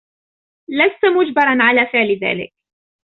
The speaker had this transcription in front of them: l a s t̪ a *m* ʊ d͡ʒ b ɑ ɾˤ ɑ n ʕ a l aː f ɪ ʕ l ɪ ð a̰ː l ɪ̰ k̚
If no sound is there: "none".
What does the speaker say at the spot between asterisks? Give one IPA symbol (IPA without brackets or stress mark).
m